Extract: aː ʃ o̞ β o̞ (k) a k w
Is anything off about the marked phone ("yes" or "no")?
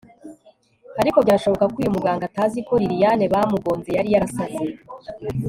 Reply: no